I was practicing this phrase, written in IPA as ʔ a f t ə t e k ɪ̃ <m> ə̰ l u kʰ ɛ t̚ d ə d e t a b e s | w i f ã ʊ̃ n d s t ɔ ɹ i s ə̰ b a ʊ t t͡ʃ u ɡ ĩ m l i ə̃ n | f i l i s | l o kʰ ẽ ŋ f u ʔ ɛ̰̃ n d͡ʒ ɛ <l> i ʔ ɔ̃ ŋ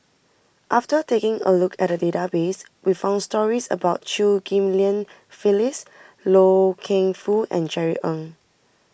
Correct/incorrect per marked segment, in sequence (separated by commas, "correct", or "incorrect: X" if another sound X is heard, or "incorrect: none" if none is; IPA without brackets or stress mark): incorrect: ŋ, incorrect: ɹ